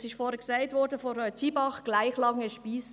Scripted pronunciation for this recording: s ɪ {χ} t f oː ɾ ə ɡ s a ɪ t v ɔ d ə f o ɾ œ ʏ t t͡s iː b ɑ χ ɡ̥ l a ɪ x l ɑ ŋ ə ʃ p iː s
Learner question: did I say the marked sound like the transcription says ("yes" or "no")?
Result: no